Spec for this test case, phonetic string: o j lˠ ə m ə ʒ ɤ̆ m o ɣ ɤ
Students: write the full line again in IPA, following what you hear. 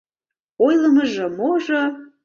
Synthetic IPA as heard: o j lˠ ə m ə ʒ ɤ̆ m o ʒ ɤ